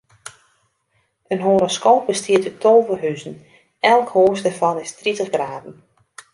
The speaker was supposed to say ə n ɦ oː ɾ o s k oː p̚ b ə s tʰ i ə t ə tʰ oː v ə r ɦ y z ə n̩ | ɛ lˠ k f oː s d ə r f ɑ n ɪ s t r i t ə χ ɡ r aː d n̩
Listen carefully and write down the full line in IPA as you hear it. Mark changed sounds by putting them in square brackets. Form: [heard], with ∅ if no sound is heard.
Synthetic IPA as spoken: ə n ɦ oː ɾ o s k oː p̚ b ə s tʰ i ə t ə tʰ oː v ə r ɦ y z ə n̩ | ɛ lˠ k [h] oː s d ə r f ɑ n ɪ s t r i t ə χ ɡ r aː d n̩